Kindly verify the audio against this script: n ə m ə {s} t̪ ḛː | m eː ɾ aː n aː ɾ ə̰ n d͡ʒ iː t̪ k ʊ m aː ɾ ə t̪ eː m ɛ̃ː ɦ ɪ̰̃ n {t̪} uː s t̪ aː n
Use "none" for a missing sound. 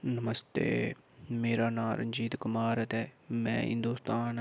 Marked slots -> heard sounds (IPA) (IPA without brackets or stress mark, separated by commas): s, d̪